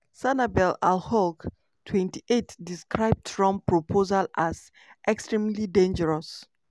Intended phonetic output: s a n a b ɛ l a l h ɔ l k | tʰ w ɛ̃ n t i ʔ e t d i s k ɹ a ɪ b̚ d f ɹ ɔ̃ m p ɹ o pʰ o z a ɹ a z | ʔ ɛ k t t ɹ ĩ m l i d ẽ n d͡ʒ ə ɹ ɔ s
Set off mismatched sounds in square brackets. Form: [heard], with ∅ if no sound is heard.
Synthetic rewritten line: s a n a b ɛ l a l h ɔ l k | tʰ w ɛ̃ n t i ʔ e t d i s k ɹ a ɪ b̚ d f ɹ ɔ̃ m p ɹ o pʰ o z a [l] a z | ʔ ɛ k [s] t ɹ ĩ m l i d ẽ n d͡ʒ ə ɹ ɔ s